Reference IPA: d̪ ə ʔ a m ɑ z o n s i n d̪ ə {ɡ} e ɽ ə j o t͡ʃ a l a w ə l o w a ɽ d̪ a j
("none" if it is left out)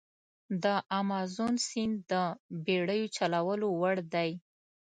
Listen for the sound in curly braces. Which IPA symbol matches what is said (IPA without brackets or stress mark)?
b